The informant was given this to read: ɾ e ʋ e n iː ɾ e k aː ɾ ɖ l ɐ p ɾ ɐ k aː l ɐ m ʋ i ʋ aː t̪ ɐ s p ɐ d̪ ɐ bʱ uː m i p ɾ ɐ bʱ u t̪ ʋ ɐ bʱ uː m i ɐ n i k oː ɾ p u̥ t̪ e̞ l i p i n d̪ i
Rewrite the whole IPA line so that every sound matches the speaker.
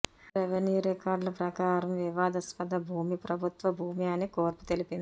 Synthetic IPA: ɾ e ʋ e n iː ɾ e k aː ɾ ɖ l ɐ p ɾ ɐ k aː ɾ ɐ m ʋ i ʋ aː d̪ ɐ s p ɐ d̪ ɐ bʱ uː m i p ɾ ɐ bʱ u t̪ ʋ ɐ bʱ uː m i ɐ n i k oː ɾ p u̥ t̪ e̞ l i p i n d̪ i